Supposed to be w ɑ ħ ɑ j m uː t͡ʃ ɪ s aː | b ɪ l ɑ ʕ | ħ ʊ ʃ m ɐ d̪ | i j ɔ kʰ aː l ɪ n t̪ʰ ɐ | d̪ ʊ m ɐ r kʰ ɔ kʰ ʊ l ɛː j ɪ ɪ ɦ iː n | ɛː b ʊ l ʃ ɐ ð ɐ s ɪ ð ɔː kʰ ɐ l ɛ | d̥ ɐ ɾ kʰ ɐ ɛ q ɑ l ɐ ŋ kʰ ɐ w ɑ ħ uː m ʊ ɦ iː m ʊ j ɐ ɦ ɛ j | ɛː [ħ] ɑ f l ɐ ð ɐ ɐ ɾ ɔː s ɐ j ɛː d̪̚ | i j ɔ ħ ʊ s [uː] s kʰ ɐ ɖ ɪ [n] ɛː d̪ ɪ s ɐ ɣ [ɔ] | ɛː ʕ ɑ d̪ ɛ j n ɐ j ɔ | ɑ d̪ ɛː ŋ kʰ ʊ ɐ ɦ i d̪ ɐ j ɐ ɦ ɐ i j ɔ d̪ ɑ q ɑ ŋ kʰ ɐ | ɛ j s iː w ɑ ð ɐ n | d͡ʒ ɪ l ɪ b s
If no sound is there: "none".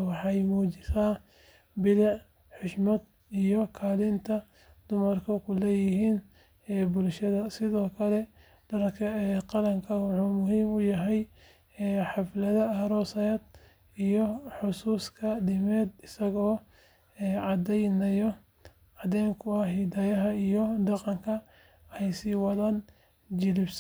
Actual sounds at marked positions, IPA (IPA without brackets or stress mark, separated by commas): ħ, uː, m, ɔː